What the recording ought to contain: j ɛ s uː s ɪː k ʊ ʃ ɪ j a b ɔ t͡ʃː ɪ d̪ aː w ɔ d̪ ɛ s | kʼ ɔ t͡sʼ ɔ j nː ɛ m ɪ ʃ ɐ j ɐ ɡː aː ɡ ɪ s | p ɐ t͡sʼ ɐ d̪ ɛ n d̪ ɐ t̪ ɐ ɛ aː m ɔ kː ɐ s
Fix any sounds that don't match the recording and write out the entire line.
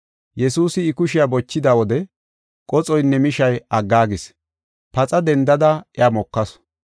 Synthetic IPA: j ɛ s uː s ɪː k ʊ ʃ ɪ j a b ɔ t͡ʃː ɪ d̪ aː w ɔ d̪ ɛ | kʼ ɔ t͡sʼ ɔ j nː ɛ m ɪ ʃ ɐ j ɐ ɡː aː ɡ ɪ s | p ɐ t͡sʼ ɐ d̪ ɛ n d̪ ɐ d̪ ɐ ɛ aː m ɔ kː ɐ s